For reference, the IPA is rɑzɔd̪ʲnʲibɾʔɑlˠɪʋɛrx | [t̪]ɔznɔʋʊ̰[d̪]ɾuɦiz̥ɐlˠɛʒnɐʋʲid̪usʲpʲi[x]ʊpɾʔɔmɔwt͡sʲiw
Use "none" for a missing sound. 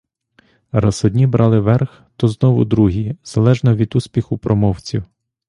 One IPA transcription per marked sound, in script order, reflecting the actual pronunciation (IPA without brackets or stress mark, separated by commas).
t̪, d̪, x